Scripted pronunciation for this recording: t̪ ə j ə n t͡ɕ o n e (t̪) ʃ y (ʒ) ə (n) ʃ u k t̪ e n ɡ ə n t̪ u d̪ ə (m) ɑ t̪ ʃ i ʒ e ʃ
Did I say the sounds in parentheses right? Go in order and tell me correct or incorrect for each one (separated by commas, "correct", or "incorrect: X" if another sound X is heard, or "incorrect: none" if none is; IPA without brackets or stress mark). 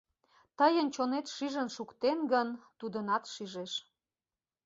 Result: correct, correct, correct, incorrect: n